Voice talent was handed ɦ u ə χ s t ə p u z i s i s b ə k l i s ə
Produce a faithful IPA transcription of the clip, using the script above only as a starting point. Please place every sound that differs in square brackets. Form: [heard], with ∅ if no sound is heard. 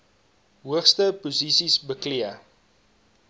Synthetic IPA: ɦ u ə χ s t ə p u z i s i s b ə k l i [∅] ə